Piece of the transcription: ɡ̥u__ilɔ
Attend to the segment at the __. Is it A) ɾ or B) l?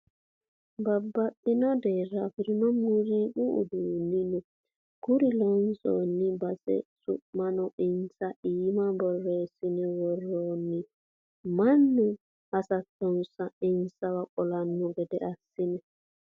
A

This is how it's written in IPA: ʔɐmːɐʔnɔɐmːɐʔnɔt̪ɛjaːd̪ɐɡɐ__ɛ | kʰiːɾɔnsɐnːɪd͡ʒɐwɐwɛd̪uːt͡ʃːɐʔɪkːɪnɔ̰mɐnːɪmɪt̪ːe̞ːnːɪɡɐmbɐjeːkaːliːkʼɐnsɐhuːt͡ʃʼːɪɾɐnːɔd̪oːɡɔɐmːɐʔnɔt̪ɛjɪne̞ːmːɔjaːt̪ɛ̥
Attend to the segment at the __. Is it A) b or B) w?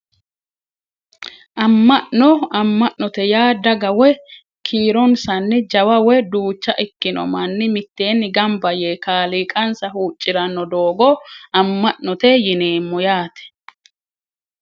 B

